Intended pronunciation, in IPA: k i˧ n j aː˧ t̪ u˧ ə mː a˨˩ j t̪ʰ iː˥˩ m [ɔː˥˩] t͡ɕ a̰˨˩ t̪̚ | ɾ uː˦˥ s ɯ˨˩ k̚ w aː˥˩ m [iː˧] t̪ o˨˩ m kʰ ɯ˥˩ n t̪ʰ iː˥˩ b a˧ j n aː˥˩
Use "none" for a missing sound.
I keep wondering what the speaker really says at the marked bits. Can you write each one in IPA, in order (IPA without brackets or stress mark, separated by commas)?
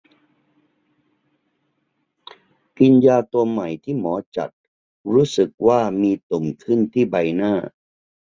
ɔː˩˦, iː˧